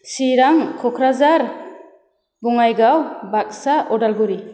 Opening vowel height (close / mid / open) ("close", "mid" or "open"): close